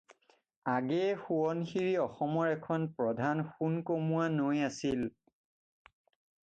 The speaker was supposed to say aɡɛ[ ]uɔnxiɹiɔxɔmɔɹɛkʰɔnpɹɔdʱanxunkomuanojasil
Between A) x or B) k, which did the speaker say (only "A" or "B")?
A